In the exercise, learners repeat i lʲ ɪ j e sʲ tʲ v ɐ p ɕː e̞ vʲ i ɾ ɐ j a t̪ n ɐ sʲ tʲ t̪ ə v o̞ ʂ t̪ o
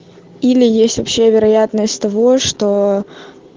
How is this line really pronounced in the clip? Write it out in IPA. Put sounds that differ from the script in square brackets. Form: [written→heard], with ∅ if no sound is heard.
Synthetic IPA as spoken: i lʲ ɪ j e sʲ tʲ v ɐ p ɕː e̞ vʲ [i→ɪ] ɾ ɐ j a t̪ n [ɐ→ə] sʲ tʲ t̪ [ə→ɐ] v o̞ ʂ t̪ o